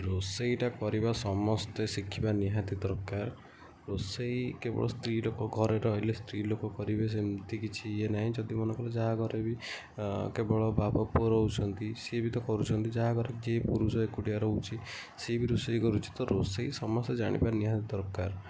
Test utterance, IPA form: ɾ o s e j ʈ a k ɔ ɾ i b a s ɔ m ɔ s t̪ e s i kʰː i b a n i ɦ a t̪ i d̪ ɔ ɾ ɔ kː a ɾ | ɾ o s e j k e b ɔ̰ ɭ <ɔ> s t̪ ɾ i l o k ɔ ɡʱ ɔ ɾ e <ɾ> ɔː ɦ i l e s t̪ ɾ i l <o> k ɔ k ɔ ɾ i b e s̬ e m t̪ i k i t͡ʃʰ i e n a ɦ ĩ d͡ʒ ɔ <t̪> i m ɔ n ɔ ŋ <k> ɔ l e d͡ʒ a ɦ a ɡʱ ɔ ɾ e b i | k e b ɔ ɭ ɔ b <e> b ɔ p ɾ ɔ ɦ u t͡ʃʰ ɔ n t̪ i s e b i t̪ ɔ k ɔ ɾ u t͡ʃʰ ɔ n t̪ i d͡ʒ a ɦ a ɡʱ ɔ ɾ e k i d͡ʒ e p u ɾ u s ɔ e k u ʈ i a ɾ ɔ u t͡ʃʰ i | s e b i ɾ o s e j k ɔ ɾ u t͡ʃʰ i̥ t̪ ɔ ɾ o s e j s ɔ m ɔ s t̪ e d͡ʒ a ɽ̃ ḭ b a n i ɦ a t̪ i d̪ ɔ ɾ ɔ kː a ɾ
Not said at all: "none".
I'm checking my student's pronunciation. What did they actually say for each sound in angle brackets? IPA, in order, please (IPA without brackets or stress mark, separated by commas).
ɔ, ɾ, o, d̪, k, a